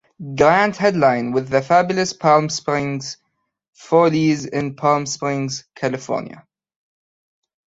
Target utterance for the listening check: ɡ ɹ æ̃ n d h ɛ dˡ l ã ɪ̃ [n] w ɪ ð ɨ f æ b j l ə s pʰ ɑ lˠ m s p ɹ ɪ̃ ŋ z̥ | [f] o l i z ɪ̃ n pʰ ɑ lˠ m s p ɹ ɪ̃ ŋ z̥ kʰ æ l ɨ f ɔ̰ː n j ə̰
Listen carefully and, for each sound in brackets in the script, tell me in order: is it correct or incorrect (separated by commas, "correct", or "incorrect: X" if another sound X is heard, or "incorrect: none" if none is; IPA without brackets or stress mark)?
correct, correct